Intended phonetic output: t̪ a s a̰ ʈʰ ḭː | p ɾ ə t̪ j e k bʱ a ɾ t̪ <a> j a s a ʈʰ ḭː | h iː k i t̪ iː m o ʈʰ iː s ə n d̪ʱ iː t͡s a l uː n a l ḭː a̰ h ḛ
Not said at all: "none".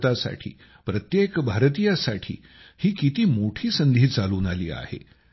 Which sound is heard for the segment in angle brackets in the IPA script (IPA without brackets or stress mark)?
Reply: i